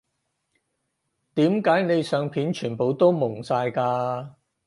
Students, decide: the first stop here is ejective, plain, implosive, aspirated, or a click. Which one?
plain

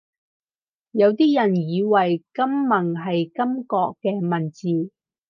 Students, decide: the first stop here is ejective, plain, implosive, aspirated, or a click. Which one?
plain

